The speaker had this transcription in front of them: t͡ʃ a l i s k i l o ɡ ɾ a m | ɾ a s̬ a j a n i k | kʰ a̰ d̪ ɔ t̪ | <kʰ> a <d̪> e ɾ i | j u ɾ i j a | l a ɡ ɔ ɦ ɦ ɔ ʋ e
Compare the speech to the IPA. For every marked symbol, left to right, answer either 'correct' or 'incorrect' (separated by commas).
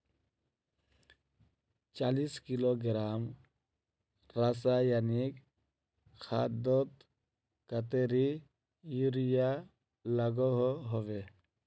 incorrect, incorrect